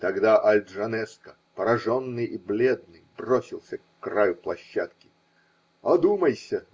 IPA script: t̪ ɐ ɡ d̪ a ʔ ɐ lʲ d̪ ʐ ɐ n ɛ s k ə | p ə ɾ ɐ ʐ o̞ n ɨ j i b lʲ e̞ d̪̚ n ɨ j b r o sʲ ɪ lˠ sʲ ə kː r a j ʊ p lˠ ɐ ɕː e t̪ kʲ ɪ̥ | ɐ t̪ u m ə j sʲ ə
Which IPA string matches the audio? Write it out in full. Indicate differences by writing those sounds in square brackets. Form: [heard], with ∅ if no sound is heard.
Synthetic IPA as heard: t̪ ɐ ɡ d̪ a ʔ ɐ lʲ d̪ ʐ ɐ n ɛ s k ə | p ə ɾ ɐ ʐ o̞ [nː] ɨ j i b lʲ e̞ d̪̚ n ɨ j b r o sʲ ɪ lˠ sʲ ə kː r a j ʊ p lˠ ɐ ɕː [a] t̪ kʲ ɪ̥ | ɐ [d̪] u m ə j sʲ ə